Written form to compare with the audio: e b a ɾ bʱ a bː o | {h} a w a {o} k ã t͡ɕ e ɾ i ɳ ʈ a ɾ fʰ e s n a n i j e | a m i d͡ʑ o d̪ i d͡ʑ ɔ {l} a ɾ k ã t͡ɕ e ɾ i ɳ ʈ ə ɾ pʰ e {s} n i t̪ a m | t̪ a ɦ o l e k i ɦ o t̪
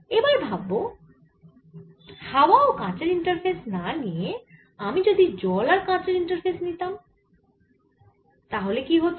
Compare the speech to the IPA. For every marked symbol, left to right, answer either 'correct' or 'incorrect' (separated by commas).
correct, correct, correct, correct